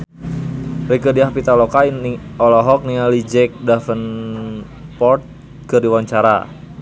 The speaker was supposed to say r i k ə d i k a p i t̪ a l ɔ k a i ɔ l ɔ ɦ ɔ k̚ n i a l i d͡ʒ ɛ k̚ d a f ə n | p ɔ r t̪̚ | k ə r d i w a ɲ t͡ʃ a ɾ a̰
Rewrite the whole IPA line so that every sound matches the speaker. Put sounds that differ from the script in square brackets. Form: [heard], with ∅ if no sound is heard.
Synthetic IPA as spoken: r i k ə d i [∅] a p i t̪ a l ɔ k a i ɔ l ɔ ɦ ɔ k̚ n i a l i d͡ʒ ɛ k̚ d a f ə n | p ɔ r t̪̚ | k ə r d i w a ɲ t͡ʃ a ɾ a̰

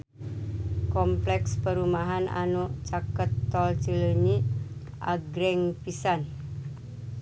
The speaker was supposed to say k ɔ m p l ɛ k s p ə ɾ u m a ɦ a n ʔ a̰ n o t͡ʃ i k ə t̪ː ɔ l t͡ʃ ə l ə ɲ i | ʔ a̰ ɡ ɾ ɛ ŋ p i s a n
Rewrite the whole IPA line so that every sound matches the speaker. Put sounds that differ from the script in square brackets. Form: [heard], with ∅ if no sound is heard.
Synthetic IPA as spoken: k ɔ m p l ɛ k s p ə ɾ u m a ɦ a n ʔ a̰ n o t͡ʃ [a] k ə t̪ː ɔ l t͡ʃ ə l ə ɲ i | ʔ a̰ ɡ ɾ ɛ ŋ p i s a n

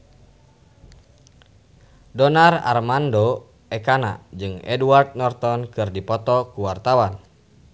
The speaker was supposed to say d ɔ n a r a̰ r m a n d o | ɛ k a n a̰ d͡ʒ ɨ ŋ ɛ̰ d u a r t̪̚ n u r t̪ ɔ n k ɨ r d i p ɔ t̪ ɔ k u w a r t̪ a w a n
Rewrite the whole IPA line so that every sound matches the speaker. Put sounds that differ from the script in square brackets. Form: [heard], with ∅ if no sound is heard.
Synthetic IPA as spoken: d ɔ n a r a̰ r m a n d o | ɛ k a n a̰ d͡ʒ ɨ ŋ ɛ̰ d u a r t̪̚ n [ɔ] r t̪ ɔ n k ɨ r d i p ɔ t̪ ɔ k u w a r t̪ a w a n

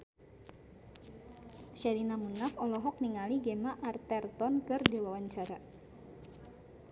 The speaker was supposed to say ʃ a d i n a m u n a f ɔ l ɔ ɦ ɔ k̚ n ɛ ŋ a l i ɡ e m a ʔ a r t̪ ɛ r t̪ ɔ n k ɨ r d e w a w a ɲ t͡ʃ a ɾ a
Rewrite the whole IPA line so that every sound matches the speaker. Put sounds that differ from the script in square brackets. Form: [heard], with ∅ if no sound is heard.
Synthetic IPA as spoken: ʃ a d i n a m u n a f ɔ l ɔ ɦ ɔ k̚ n [i] ŋ a l i ɡ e m a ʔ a r t̪ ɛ r t̪ ɔ n k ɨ r d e w a w a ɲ t͡ʃ a ɾ a

